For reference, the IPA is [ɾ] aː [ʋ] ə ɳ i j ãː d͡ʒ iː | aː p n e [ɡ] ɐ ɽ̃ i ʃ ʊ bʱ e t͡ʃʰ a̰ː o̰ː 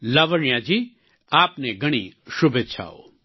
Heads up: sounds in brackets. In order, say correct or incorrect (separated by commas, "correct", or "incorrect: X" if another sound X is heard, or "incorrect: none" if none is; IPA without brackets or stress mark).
incorrect: l, correct, correct